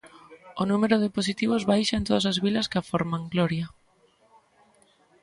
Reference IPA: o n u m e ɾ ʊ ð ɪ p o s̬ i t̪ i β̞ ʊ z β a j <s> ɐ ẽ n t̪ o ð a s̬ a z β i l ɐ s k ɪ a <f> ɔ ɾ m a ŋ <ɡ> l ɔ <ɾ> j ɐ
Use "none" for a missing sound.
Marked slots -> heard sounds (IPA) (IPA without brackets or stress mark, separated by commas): ʃ, f, ɡ, ɾ